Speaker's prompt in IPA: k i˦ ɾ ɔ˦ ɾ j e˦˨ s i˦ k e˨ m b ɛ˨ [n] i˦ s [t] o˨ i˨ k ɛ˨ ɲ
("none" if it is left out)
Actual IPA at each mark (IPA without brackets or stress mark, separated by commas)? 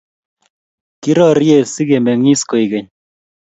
ŋ, k